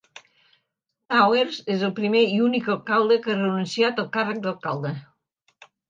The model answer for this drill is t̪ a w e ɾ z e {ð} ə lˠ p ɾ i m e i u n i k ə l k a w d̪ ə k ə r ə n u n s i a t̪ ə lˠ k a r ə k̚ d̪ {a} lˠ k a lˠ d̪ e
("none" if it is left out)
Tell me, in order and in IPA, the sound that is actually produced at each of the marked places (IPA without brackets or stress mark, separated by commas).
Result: z, ə